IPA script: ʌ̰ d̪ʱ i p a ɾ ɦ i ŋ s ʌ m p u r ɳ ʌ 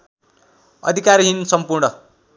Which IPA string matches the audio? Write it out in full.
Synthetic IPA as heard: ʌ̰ d̪ʱ i k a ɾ ɦ i n s ʌ m p u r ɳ ʌ